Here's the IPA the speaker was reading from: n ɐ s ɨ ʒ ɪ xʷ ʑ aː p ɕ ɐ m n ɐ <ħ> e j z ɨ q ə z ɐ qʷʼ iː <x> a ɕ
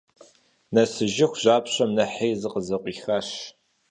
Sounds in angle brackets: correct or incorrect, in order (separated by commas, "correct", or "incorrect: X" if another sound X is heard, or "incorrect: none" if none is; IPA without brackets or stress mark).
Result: correct, correct